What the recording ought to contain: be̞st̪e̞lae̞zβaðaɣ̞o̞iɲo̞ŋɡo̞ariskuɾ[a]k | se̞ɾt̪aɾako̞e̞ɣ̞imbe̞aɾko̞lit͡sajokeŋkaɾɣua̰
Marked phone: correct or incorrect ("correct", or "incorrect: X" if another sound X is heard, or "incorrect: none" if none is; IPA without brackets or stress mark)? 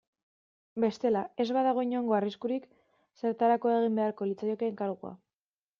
incorrect: i